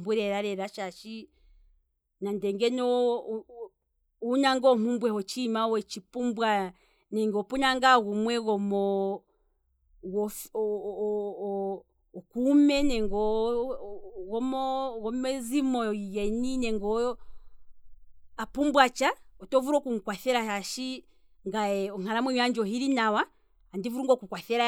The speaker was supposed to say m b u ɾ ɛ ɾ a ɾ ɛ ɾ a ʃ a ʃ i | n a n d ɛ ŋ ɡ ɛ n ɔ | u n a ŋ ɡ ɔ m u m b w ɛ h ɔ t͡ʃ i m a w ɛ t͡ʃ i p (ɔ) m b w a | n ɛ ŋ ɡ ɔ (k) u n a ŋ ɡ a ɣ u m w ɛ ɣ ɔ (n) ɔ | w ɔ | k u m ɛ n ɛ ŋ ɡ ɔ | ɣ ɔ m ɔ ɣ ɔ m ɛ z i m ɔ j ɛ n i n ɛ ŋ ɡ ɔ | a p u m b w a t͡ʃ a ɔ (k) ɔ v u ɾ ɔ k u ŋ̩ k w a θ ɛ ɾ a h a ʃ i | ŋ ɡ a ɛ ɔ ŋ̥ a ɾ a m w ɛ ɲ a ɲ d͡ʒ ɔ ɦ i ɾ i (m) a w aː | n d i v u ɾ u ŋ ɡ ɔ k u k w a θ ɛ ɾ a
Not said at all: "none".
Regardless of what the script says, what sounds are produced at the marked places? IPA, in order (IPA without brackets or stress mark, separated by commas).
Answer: u, p, m, t, n